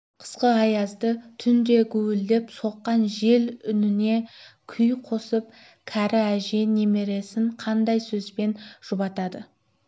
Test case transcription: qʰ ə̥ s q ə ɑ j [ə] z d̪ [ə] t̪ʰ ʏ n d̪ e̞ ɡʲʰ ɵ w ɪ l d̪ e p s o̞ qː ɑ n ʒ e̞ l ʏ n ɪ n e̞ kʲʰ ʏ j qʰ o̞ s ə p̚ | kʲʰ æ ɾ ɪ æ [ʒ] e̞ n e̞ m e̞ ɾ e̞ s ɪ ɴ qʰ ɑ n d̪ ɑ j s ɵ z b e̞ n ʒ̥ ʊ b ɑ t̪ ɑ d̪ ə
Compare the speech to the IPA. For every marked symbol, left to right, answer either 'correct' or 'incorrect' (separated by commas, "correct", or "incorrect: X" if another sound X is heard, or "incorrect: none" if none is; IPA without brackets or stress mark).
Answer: incorrect: ɑ, correct, correct